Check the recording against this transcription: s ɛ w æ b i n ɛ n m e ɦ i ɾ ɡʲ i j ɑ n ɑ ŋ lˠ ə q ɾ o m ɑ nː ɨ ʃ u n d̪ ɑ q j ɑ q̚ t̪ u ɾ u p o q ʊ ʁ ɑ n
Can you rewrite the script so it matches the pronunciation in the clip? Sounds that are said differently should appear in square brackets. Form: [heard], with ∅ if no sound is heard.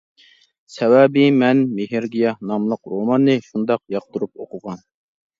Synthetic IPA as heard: s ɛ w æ b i [m] ɛ n m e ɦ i ɾ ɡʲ i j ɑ n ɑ [m] lˠ ə q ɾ o m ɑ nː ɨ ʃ u n d̪ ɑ q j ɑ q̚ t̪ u ɾ u p o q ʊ ʁ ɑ n